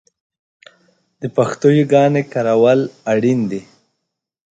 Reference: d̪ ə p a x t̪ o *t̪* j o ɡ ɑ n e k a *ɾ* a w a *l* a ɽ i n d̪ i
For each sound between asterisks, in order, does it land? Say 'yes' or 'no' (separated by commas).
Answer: no, yes, yes